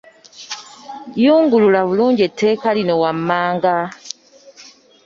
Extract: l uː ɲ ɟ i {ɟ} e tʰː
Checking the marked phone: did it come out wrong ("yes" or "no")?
yes